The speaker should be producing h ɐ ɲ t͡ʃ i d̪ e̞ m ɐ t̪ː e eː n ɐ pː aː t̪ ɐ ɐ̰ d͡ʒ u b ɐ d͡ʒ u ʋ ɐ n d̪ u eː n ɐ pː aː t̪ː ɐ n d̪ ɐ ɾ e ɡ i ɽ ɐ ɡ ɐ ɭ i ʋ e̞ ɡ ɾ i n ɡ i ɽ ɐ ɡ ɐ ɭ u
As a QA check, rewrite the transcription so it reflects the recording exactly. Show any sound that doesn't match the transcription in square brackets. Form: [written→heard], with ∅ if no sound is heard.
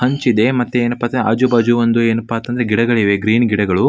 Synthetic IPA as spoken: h ɐ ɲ t͡ʃ i d̪ e̞ m ɐ t̪ː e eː n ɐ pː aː t̪ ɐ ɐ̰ d͡ʒ u b ɐ d͡ʒ u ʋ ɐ n d̪ u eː n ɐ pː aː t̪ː ɐ n d̪ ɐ ɾ e ɡ i ɽ ɐ ɡ ɐ ɭ i ʋ e̞ ɡ ɾ [i→iː] n ɡ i ɽ ɐ ɡ ɐ ɭ u